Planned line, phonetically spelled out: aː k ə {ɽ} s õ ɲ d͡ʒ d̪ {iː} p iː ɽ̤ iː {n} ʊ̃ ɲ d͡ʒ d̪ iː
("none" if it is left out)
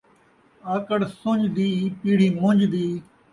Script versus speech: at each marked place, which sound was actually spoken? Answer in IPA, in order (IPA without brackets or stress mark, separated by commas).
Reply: ɽ, iː, m